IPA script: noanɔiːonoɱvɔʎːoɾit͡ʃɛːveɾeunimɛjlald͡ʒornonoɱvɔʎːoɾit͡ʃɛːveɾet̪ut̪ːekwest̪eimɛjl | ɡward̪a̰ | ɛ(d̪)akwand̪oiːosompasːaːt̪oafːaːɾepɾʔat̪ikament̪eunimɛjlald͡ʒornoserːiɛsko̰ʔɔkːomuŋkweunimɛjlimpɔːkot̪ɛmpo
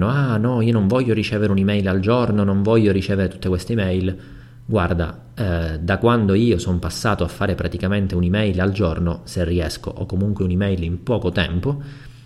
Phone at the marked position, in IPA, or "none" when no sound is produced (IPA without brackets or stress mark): d̪